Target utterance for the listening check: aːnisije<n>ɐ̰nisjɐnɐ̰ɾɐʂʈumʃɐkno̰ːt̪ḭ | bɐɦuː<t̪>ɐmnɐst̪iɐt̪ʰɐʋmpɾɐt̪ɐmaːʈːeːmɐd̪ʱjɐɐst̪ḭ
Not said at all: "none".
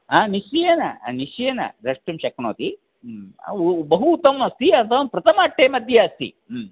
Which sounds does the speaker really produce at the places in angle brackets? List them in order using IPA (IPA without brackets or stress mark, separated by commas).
n, t̪